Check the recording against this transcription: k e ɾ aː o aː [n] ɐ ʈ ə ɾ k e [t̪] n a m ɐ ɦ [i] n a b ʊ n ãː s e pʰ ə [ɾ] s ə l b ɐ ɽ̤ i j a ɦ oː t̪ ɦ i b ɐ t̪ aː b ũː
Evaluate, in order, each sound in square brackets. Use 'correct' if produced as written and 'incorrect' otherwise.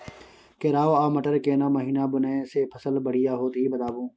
incorrect, incorrect, incorrect, incorrect

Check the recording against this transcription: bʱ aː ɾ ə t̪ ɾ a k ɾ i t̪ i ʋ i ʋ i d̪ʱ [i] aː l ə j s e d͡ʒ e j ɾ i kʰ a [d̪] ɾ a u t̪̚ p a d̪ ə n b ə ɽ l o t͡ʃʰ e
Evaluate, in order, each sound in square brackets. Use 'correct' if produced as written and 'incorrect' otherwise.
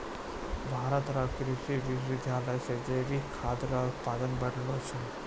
incorrect, correct

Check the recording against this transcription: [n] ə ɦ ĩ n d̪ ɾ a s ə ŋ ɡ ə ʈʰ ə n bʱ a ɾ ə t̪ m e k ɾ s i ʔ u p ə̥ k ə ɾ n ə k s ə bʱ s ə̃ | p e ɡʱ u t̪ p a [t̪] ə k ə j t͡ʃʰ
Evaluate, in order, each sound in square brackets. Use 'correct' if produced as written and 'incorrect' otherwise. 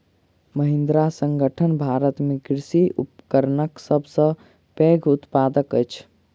incorrect, incorrect

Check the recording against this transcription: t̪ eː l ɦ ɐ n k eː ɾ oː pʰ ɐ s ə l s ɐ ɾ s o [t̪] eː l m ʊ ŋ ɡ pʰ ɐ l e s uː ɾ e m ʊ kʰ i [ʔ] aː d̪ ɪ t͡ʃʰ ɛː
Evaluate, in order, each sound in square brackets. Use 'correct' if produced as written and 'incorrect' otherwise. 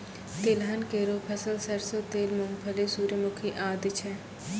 correct, correct

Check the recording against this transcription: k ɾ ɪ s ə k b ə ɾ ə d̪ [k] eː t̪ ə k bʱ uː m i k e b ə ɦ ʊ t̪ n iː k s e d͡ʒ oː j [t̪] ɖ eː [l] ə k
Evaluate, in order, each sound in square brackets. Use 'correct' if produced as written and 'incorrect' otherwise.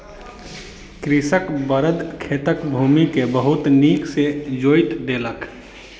incorrect, correct, correct

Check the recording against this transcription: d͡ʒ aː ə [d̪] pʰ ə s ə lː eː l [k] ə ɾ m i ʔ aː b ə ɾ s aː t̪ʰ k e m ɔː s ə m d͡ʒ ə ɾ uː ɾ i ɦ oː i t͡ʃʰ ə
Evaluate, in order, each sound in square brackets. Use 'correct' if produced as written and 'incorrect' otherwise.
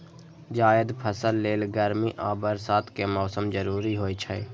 correct, incorrect

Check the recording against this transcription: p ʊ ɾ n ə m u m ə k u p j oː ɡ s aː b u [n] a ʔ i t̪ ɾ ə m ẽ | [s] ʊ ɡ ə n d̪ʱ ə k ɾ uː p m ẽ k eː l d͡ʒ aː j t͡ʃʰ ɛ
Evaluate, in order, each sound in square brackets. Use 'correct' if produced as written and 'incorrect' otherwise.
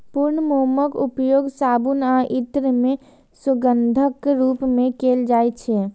correct, correct

